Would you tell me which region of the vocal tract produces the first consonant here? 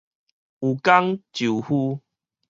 velum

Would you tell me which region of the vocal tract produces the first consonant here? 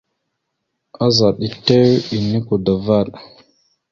tongue tip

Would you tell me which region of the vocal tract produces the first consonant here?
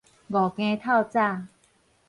velum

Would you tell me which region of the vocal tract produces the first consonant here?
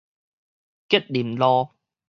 velum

